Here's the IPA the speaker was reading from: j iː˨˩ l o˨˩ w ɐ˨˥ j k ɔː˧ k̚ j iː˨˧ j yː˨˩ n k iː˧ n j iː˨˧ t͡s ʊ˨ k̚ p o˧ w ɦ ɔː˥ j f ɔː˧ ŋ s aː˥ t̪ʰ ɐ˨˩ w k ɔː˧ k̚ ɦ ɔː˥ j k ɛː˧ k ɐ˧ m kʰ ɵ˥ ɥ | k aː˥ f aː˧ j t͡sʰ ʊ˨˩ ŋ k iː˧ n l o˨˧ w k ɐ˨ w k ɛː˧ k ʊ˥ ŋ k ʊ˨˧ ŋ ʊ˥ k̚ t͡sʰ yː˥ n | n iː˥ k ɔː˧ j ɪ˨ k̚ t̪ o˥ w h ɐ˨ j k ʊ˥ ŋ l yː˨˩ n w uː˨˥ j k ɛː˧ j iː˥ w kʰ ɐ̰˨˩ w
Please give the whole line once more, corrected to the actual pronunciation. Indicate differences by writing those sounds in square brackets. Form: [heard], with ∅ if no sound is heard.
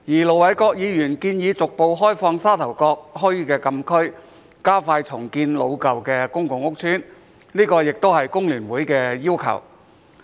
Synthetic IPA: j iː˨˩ l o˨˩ w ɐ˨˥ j k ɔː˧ k̚ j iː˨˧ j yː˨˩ n k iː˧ n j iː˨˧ t͡s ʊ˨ k̚ p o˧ w ɦ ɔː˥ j f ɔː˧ ŋ s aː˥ t̪ʰ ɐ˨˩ w k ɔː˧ k̚ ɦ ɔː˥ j k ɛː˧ k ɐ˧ m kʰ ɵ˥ ɥ | k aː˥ f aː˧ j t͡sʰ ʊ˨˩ ŋ k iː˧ n l o˨˧ w k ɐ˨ w k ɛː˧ k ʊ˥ ŋ k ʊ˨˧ ŋ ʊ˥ k̚ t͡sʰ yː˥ n | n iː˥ k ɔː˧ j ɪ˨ k̚ t̪ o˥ w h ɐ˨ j k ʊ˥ ŋ l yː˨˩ n w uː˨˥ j k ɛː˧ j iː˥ w kʰ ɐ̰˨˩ w